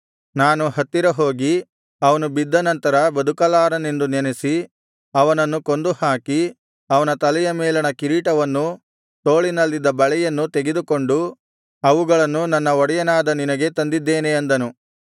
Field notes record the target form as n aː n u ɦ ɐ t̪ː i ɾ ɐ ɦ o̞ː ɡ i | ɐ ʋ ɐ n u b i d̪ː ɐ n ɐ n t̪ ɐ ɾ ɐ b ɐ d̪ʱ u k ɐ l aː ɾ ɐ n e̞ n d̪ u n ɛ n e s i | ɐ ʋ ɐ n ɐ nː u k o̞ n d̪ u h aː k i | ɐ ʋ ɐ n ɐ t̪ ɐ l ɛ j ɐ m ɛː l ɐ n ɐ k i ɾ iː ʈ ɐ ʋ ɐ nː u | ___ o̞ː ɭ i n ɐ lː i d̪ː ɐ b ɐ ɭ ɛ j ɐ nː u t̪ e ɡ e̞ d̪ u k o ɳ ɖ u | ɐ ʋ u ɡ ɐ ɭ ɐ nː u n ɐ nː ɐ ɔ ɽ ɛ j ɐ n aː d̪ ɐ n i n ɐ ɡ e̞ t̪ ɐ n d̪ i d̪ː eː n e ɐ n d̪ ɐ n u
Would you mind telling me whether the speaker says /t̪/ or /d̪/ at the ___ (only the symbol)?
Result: t̪